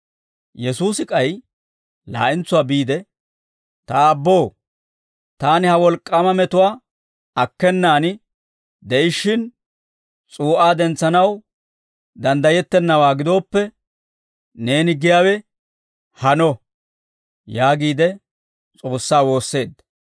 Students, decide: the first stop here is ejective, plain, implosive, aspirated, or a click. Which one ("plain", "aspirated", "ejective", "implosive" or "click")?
ejective